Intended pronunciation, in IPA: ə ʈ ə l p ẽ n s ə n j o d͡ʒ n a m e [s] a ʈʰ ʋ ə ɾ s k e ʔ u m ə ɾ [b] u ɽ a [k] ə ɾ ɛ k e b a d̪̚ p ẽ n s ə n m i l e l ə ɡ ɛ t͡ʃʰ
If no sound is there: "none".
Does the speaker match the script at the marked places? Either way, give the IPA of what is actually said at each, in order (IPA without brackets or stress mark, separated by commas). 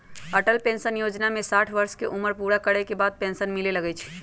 s, p, k